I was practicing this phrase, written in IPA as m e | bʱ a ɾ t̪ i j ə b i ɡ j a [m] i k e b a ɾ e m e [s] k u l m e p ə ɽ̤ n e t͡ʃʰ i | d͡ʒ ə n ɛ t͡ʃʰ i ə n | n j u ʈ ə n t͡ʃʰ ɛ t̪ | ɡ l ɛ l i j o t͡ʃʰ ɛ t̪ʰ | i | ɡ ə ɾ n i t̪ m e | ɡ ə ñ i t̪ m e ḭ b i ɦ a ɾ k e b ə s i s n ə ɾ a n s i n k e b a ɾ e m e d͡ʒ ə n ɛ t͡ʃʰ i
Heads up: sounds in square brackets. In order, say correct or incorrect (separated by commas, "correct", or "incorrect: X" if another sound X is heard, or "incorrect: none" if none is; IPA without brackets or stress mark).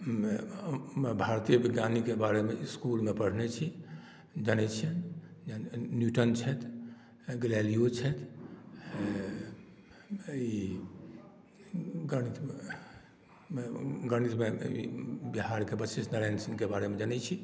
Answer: incorrect: n, correct